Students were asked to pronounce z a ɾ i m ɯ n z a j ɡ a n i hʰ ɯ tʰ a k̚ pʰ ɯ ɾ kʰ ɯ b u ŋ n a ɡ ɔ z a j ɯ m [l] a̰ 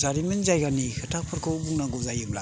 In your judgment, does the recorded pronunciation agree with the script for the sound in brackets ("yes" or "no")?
yes